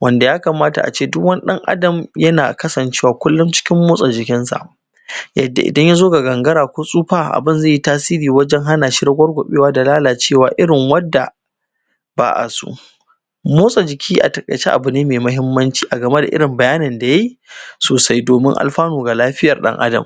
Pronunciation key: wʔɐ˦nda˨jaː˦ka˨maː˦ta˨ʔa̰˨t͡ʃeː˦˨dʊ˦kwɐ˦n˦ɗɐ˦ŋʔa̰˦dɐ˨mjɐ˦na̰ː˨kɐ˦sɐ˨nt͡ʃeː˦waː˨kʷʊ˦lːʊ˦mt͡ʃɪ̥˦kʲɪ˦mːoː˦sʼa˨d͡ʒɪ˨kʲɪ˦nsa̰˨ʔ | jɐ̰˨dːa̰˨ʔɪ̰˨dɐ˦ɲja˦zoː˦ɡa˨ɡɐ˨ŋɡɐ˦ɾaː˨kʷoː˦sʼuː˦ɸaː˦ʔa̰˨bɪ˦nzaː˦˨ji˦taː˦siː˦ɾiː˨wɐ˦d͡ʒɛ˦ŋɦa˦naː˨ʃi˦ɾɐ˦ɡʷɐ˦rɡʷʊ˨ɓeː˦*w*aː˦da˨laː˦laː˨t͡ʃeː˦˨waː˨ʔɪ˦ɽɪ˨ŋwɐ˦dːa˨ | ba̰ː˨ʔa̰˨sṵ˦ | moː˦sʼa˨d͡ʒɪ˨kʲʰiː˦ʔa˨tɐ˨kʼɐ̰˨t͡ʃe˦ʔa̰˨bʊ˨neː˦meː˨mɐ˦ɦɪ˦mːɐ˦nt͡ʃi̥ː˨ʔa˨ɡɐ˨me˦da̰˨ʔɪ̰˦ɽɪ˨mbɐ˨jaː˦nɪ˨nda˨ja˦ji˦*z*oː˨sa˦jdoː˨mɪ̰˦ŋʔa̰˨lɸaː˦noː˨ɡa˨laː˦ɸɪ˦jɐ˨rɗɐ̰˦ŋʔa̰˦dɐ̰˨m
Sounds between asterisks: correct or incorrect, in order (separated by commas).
correct, incorrect